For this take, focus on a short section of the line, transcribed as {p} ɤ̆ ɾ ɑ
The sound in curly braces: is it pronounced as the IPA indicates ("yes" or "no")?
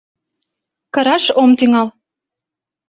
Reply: no